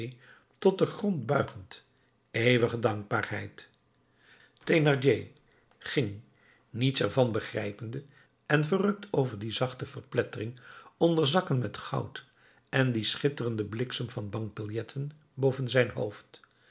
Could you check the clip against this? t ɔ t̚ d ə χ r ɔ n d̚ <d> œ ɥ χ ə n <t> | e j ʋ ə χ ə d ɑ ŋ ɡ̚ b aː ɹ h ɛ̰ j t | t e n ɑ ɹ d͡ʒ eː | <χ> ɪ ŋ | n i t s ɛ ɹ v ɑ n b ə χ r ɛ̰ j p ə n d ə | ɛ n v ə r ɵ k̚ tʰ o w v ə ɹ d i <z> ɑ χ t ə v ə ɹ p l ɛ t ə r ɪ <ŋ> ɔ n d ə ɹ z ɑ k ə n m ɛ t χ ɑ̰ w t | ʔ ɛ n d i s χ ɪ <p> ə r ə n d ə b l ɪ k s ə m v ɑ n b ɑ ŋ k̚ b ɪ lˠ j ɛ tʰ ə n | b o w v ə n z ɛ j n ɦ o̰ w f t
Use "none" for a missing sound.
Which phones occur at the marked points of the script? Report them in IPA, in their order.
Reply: b, t, χ, z, ŋ, t

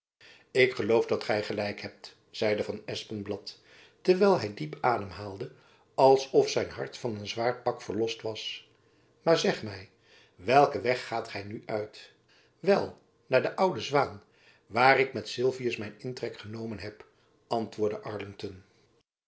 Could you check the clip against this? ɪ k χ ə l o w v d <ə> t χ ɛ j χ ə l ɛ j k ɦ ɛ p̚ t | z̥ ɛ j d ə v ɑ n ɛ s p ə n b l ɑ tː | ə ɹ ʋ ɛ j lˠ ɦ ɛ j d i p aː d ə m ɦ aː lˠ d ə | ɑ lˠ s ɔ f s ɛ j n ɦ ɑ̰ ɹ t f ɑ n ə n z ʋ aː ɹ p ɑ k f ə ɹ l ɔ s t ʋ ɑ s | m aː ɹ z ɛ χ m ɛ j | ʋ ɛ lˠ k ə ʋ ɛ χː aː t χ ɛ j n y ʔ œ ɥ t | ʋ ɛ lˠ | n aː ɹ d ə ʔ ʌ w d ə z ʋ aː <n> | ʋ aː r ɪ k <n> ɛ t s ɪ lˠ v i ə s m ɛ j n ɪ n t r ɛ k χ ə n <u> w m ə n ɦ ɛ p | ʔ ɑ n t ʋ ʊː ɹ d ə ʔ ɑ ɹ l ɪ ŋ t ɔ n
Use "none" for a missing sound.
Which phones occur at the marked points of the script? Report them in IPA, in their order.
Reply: ɑ, n, m, o

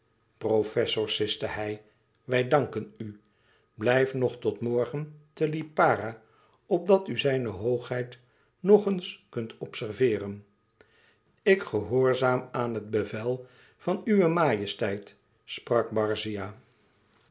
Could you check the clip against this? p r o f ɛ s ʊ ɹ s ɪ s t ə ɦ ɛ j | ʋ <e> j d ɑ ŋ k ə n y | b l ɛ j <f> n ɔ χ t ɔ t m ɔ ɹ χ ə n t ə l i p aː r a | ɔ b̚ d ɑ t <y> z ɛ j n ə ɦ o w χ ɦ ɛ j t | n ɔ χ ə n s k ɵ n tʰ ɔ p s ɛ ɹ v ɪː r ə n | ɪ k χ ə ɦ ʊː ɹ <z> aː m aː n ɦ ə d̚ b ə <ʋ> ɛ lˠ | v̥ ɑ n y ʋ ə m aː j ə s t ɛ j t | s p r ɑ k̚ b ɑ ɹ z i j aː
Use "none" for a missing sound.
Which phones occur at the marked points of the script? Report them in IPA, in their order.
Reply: ɛ, f, y, z, v

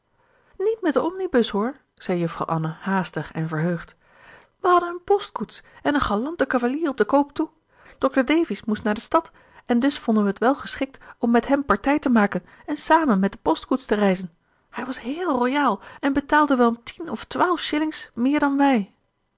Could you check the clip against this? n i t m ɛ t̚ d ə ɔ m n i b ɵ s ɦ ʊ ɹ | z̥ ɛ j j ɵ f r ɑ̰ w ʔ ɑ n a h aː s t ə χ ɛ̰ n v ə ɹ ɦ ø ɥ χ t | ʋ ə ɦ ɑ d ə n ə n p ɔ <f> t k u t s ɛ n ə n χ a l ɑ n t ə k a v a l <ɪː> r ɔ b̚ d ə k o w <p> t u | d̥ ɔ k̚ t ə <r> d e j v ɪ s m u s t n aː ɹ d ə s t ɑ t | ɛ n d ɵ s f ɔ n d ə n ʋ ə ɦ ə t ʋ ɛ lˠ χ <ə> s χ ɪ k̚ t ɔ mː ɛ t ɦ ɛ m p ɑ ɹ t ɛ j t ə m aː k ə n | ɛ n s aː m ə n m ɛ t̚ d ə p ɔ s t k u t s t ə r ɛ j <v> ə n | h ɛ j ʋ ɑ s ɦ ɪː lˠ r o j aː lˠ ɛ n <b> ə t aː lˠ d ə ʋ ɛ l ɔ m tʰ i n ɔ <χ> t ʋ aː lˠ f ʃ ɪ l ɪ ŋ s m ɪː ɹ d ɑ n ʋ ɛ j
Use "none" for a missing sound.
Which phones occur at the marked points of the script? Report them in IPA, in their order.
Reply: s, iː, p, ɹ, ə, z, b, f

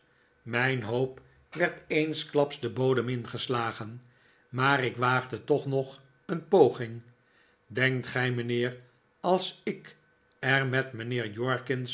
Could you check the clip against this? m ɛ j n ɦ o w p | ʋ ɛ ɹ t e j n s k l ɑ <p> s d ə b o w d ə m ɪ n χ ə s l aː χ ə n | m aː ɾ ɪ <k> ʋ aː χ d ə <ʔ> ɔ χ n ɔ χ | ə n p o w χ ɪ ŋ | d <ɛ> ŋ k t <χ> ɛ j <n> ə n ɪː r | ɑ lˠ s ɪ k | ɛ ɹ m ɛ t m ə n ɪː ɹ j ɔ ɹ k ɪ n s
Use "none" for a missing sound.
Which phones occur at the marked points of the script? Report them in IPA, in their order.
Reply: p, k, t, ɛ, χ, m

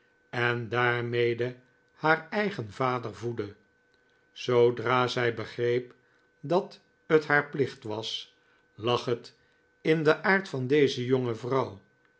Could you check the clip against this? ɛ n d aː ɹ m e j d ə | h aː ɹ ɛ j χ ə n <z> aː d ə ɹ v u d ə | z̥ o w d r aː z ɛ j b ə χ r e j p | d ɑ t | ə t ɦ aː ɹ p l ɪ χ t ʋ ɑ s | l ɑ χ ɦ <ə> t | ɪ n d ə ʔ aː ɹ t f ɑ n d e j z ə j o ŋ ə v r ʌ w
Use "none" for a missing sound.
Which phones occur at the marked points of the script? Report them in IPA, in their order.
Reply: v, ə

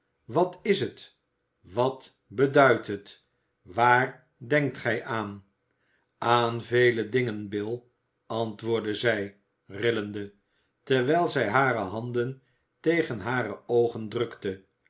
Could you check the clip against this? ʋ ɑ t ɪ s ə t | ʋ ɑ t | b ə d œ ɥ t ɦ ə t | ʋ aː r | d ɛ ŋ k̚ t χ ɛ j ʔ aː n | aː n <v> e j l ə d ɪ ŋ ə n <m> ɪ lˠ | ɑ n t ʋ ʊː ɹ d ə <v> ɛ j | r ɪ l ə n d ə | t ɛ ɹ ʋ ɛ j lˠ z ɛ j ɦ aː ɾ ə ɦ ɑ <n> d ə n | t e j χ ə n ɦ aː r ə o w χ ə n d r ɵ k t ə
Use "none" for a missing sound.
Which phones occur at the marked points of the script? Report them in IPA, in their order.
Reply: v, b, z, n

